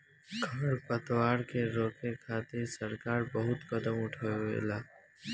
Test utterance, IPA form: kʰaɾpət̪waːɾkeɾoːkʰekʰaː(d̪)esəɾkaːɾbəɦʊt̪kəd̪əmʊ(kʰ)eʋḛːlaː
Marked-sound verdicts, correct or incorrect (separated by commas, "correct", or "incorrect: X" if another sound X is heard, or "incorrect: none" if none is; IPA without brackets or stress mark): incorrect: t̪, incorrect: ʈʰ